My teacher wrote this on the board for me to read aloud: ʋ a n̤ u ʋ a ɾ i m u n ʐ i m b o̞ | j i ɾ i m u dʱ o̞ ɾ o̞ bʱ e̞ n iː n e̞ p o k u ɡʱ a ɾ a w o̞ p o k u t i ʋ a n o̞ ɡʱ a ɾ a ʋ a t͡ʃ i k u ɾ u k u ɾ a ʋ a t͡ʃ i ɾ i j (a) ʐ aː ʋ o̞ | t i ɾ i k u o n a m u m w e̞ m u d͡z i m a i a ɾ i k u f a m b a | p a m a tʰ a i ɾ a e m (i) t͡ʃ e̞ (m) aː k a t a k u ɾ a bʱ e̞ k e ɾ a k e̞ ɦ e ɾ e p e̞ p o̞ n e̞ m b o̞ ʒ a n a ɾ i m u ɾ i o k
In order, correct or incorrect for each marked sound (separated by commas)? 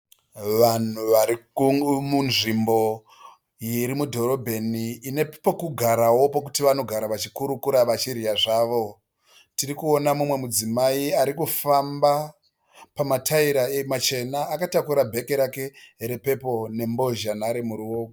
correct, incorrect, incorrect